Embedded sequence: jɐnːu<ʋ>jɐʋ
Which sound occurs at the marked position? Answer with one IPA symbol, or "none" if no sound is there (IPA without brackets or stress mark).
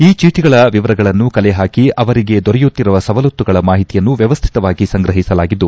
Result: ʋ